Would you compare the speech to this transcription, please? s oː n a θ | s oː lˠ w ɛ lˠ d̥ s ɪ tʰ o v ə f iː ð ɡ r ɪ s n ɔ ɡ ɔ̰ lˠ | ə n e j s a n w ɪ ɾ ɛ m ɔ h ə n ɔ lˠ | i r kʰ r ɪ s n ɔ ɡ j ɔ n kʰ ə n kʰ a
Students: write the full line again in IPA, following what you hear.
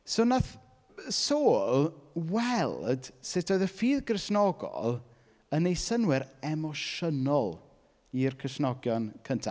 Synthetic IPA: s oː n a θ | s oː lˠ w ɛ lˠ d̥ s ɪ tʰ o ð ə f iː ð ɡ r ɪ s n ɔ ɡ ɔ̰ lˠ | ə n e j s ə n w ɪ ɾ ɛ m ɔ ʃ ə n ɔ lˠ | i r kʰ r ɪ s n ɔ ɡ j ɔ n kʰ ə n tʰ a